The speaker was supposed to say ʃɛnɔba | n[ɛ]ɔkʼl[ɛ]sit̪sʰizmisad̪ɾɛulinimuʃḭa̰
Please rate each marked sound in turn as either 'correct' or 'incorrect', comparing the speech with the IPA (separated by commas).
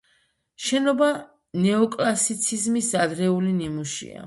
correct, incorrect